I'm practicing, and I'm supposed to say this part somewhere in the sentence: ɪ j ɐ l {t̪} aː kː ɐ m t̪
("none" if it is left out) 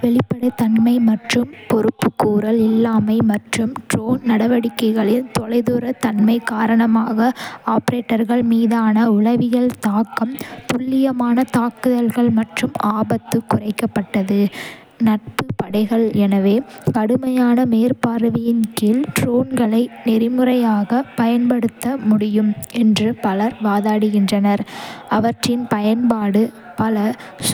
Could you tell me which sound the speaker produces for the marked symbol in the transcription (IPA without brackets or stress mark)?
t̪